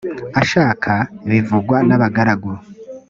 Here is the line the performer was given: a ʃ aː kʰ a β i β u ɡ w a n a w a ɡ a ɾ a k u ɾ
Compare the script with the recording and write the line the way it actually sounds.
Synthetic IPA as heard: a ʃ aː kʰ a β i v u ɡ w a n a β a ɡ a ɾ a ɡ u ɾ